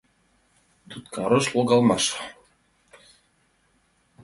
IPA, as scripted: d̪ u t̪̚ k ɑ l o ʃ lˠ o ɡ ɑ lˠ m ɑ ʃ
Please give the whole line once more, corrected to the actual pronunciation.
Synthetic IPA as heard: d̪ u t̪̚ k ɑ ɾ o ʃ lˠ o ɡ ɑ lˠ m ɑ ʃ